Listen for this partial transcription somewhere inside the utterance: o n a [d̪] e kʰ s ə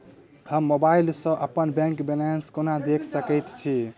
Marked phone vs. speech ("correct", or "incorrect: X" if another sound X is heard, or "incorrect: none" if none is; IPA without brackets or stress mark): correct